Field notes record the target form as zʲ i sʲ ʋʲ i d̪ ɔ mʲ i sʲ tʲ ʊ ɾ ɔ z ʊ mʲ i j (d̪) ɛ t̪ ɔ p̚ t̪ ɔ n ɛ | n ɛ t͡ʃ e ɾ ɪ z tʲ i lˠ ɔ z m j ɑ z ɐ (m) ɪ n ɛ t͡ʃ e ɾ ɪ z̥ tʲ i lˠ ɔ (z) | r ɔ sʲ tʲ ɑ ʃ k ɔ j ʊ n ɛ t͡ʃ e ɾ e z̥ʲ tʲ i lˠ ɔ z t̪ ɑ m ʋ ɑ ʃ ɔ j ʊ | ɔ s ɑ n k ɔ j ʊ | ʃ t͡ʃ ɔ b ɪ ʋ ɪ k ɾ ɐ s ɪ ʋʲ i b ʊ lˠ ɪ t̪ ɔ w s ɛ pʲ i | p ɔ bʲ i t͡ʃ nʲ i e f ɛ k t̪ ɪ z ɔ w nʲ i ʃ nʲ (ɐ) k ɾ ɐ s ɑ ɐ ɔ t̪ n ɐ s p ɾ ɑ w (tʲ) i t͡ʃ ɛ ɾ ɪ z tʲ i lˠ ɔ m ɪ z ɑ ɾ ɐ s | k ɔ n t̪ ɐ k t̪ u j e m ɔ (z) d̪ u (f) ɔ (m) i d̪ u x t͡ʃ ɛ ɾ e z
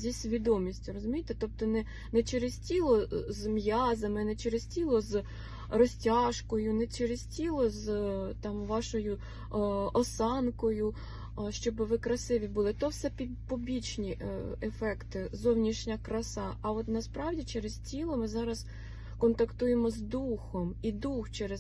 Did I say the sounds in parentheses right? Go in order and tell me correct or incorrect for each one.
incorrect: t̪, correct, correct, correct, incorrect: dʲ, correct, incorrect: x, correct

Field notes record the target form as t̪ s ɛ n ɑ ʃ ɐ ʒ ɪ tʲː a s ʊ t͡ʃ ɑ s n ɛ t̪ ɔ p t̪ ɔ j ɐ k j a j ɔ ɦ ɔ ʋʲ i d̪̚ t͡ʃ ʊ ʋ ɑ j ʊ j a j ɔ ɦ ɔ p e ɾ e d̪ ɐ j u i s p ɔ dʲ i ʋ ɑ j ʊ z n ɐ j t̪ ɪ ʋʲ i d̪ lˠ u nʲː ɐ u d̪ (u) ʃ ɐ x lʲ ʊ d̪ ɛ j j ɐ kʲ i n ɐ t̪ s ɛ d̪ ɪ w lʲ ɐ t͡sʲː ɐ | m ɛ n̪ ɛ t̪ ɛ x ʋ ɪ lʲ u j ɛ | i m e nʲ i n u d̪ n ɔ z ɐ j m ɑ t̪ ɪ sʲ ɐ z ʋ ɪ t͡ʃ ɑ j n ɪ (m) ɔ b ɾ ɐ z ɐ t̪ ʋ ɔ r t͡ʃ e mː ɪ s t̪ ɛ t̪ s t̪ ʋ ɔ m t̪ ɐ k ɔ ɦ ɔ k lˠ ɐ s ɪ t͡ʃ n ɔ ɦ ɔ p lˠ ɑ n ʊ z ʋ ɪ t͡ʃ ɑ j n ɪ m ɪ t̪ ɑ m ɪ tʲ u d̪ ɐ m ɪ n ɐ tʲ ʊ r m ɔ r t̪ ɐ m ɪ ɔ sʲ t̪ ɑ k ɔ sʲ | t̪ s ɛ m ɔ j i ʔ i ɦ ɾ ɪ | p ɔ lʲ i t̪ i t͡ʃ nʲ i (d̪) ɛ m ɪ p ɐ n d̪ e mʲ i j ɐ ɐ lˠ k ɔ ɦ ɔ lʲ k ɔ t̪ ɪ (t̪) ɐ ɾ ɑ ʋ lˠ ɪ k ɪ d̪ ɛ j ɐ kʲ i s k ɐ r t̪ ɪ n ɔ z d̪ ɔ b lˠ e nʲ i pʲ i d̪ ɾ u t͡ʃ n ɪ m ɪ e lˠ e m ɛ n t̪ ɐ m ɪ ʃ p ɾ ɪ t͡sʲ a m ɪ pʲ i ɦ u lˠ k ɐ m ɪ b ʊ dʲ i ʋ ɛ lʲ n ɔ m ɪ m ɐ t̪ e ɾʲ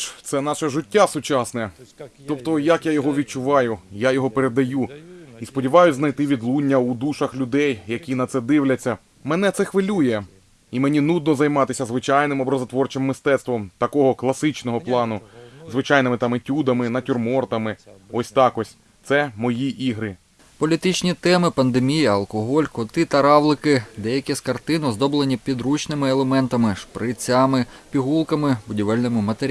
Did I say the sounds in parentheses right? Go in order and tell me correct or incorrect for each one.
correct, correct, incorrect: t̪, correct

